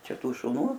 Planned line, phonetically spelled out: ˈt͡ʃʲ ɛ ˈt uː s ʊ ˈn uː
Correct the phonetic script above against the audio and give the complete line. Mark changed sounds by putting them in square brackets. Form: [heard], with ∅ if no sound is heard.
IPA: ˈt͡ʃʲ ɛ ˈt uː [ʃ] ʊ ˈn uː